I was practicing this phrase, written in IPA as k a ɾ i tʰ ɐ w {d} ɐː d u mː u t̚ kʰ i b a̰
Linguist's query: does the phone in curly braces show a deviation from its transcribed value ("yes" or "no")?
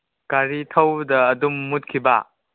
no